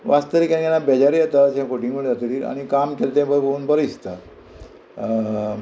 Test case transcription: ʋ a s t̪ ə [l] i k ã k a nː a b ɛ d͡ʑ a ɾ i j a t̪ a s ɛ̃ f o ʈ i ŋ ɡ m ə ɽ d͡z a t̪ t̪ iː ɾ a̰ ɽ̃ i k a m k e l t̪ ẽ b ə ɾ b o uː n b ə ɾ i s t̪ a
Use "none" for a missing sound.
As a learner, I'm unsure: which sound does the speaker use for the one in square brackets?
ɾ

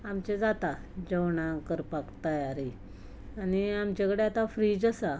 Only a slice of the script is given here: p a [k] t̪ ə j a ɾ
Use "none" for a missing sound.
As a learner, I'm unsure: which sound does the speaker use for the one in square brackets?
k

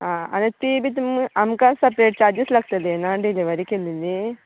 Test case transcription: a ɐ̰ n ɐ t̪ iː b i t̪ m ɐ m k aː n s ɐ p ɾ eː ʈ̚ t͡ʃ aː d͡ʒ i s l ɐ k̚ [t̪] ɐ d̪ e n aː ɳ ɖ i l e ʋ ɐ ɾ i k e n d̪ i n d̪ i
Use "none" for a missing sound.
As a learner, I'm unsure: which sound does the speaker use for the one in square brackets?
t̪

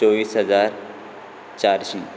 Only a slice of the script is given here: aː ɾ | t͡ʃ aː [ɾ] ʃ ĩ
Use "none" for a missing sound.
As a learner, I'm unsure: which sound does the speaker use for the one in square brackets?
ɾ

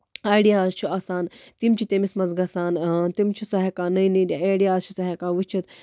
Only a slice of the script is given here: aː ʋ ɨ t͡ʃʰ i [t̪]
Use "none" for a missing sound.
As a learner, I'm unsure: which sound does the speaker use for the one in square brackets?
t̪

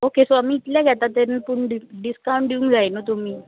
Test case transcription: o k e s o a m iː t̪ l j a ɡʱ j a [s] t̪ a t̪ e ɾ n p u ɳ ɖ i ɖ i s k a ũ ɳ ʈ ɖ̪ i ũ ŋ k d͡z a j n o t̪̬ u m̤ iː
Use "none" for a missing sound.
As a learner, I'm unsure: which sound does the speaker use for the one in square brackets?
none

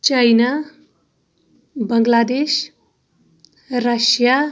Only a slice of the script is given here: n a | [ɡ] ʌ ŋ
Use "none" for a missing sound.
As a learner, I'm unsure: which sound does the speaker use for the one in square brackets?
b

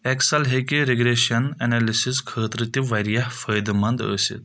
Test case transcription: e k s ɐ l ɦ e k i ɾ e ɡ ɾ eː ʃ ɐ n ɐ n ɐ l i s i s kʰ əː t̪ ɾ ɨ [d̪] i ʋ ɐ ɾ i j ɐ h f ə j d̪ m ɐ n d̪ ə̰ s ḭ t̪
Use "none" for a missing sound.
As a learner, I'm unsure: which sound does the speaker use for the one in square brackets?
t̪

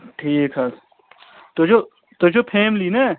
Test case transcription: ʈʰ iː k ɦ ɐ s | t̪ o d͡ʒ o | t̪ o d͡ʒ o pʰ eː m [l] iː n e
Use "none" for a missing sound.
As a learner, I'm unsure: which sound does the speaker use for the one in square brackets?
l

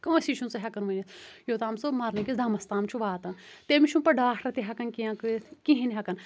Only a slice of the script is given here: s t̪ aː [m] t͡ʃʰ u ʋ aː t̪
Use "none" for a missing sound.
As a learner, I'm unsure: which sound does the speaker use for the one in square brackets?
m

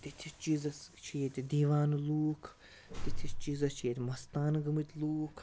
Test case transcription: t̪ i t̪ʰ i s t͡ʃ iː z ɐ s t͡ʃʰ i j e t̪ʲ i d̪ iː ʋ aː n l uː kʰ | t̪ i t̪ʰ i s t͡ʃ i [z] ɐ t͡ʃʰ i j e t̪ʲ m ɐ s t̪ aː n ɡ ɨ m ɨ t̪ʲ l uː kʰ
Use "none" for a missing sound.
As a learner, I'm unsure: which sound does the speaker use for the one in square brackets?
z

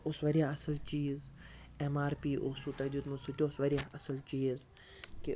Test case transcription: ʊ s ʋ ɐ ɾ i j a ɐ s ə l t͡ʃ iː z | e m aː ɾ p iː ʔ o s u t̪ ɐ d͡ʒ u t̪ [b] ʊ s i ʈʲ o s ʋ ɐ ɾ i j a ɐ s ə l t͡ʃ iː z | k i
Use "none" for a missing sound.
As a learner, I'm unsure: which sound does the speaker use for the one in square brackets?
m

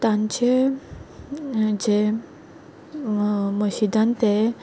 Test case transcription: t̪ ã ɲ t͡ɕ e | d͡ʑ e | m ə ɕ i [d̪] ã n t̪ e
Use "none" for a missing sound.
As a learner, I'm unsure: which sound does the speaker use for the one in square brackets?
d̪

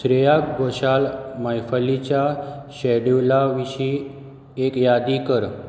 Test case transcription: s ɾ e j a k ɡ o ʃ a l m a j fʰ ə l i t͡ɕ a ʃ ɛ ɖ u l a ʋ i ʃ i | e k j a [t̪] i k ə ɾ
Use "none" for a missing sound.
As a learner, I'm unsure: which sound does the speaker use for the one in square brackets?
d̪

